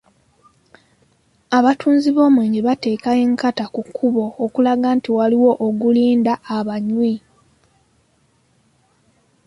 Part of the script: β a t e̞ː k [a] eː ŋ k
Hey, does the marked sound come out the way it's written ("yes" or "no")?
yes